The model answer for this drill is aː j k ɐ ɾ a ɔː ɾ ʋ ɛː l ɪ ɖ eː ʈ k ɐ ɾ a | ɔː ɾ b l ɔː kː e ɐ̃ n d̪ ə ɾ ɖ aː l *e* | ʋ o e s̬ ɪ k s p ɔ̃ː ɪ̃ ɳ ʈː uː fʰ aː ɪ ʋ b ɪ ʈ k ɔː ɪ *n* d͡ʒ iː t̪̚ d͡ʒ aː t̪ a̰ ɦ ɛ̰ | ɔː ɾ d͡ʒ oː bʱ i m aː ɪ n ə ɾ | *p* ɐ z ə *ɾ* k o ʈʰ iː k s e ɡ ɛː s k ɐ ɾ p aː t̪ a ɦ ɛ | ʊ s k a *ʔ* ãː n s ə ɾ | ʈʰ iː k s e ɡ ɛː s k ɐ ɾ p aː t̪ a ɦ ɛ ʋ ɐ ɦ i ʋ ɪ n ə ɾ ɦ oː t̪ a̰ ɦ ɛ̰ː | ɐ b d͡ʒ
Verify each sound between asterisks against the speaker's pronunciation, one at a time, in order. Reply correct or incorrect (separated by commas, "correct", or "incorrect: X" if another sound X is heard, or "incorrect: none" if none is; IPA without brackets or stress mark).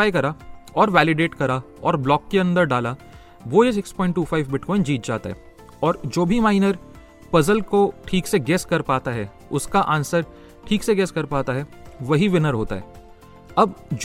incorrect: a, correct, correct, incorrect: l, correct